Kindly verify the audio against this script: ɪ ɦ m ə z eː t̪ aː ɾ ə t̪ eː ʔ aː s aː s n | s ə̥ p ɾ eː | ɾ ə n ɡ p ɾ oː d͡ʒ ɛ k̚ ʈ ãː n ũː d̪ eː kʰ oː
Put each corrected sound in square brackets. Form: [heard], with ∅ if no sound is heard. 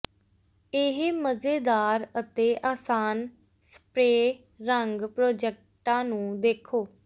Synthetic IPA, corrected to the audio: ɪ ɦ m ə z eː [d̪] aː ɾ ə t̪ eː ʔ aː s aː [∅] n | s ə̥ p ɾ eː | ɾ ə [ŋ] ɡ p ɾ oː d͡ʒ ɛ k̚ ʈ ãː n ũː d̪ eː kʰ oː